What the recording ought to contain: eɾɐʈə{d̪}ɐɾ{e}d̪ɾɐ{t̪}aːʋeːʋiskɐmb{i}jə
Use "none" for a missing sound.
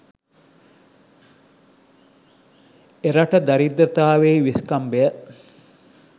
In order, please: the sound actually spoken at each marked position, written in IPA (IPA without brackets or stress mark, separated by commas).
d̪, i, t̪, e